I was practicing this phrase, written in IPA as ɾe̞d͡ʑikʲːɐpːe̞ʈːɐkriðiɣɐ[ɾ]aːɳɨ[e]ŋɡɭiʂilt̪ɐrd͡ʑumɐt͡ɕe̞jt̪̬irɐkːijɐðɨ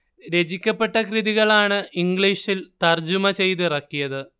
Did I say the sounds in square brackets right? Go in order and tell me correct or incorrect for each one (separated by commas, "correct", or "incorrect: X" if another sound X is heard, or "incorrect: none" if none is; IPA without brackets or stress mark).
incorrect: ɭ, incorrect: i